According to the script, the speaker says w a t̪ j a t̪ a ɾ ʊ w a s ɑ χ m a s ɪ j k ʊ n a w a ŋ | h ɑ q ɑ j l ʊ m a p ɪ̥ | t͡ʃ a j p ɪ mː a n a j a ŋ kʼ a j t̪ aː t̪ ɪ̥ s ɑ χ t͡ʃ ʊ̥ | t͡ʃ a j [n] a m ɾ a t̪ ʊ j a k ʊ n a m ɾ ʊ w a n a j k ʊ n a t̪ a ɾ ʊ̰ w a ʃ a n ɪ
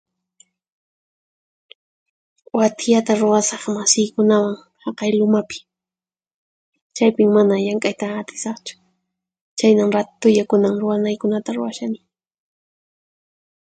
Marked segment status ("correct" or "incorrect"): correct